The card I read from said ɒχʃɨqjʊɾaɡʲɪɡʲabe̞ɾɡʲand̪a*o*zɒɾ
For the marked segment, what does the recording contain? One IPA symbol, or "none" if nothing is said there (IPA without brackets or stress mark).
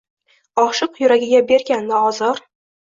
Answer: ɒ